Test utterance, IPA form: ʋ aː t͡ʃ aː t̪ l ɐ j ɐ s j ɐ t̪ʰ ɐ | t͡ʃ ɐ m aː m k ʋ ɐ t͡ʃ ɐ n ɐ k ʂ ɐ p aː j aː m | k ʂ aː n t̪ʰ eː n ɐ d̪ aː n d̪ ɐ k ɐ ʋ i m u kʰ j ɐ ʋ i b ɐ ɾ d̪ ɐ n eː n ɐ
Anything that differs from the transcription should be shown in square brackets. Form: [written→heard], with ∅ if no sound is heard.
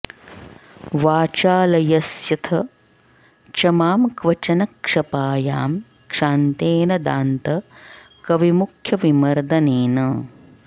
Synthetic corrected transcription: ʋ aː t͡ʃ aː [t̪→∅] l ɐ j ɐ s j ɐ t̪ʰ ɐ | t͡ʃ ɐ m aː m k ʋ ɐ t͡ʃ ɐ n ɐ k ʂ ɐ p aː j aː m | k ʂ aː n [t̪ʰ→t̪] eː n ɐ d̪ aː n [d̪→t̪] ɐ k ɐ ʋ i m u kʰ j ɐ ʋ i [b→m] ɐ ɾ d̪ ɐ n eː n ɐ